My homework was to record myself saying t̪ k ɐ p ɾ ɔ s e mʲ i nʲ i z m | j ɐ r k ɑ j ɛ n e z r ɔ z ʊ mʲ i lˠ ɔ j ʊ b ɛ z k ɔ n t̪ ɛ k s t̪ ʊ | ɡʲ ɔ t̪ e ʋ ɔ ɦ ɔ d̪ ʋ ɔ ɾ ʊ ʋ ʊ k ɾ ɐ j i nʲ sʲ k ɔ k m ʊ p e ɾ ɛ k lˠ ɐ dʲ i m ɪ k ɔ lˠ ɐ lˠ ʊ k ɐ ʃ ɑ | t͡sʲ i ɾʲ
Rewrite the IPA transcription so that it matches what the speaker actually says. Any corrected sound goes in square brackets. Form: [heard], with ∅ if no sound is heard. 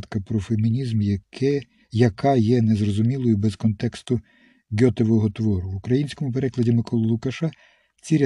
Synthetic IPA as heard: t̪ k ɐ p ɾ ɔ [f] e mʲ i nʲ i z m | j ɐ [∅] k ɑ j ɛ n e z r ɔ z ʊ mʲ i lˠ ɔ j ʊ b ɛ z k ɔ n t̪ ɛ k s t̪ ʊ | ɡʲ ɔ t̪ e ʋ ɔ ɦ ɔ [t̪] ʋ ɔ ɾ ʊ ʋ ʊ k ɾ ɐ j i nʲ sʲ k ɔ [∅] m ʊ p e ɾ ɛ k lˠ ɐ dʲ i m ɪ k ɔ lˠ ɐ lˠ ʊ k ɐ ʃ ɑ | t͡sʲ i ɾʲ